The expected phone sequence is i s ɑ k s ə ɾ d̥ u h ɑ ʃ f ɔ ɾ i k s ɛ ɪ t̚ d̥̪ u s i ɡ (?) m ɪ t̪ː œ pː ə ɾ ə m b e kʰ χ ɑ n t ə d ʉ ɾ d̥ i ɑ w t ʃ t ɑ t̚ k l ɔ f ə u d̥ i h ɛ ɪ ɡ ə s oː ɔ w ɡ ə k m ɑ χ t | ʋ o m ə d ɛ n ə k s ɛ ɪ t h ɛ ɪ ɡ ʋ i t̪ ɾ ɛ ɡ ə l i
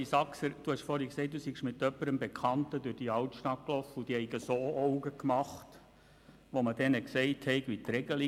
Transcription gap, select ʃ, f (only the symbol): ʃ